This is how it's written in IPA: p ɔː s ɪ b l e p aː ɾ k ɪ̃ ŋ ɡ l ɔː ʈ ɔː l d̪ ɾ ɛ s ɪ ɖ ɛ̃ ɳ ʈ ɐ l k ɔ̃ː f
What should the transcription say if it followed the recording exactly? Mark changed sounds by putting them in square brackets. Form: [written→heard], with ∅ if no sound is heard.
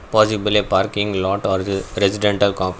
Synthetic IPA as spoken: p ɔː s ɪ b l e p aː ɾ k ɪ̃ ŋ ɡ l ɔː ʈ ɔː [l→ɾ] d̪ ɾ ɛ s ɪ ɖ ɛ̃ ɳ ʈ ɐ l k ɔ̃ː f